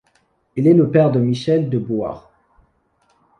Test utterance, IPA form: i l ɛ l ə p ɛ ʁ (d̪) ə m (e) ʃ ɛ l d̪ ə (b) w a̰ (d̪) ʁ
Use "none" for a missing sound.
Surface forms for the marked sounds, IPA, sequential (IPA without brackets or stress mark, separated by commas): d̪, i, b, none